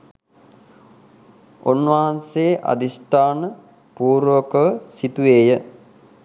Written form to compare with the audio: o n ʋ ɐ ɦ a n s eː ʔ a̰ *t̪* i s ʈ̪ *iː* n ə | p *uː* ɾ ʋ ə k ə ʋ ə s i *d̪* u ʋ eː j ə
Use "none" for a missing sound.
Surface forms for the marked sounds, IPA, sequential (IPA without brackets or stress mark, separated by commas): d̪, aː, uː, t̪